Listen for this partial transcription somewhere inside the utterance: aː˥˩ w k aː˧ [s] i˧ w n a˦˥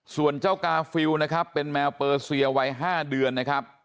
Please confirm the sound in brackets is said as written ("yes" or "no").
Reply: no